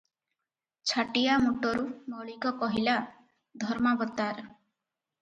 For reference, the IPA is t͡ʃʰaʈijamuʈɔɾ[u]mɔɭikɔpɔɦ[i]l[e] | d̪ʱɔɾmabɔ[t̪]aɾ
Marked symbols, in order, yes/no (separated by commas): yes, yes, no, yes